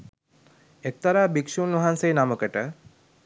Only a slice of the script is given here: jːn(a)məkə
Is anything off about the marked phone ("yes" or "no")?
no